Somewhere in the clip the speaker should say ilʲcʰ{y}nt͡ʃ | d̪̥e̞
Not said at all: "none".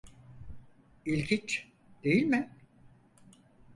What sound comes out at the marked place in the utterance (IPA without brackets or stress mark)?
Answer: i